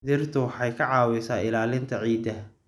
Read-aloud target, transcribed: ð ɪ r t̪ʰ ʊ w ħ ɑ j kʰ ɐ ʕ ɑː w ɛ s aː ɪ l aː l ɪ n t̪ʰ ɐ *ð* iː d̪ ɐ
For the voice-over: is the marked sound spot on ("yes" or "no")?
no